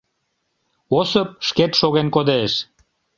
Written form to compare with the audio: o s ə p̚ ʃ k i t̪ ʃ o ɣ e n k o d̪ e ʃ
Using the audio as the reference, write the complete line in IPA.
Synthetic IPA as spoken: o s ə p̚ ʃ k e t̪ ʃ o ɣ e n k o d̪ e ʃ